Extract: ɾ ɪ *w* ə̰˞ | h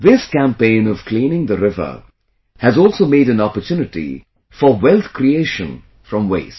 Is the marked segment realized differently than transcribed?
yes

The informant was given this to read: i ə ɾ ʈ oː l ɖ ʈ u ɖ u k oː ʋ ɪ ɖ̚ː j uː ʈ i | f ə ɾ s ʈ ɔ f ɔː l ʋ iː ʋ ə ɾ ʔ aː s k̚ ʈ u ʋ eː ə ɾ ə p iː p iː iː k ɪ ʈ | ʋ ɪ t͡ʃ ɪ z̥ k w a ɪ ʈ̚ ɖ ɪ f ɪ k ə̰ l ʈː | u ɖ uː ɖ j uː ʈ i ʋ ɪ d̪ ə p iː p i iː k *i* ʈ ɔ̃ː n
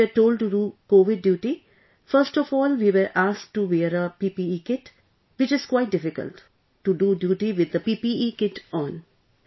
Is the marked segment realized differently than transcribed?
yes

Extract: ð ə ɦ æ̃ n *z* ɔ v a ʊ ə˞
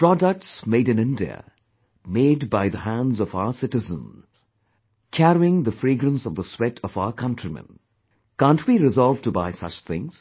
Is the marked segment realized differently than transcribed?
no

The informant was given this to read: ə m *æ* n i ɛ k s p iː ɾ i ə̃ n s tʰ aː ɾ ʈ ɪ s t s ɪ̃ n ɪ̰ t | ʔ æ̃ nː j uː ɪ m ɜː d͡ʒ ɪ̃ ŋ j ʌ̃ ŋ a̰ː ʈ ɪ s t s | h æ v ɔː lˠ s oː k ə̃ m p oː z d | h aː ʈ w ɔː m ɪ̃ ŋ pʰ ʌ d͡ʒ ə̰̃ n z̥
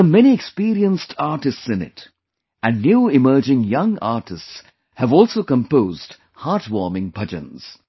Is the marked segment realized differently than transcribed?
yes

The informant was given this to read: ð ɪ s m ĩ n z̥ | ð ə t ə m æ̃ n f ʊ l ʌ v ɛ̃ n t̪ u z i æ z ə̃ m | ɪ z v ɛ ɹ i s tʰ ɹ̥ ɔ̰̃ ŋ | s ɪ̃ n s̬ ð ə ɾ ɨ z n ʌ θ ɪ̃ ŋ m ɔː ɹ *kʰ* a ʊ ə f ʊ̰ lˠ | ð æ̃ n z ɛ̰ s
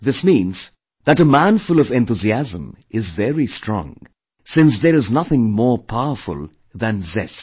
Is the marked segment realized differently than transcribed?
yes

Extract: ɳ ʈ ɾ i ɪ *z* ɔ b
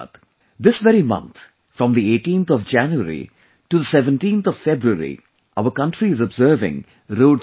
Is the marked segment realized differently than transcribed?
no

